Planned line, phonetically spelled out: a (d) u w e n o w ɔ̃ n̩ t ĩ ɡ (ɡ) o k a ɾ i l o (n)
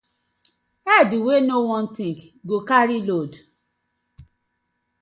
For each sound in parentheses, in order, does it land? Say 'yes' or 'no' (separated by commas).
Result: yes, yes, no